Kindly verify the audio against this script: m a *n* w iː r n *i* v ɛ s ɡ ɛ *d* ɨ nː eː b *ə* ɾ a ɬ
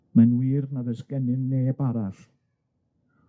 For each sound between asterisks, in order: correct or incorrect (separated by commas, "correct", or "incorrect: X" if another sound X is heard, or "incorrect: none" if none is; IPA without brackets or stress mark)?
correct, incorrect: a, incorrect: n, incorrect: a